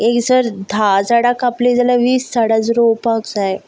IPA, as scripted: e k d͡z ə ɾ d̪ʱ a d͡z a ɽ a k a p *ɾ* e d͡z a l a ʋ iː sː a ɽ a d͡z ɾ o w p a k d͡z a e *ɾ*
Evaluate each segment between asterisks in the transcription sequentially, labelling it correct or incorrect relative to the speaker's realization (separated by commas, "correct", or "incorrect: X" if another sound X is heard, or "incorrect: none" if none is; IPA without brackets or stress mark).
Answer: incorrect: l, incorrect: none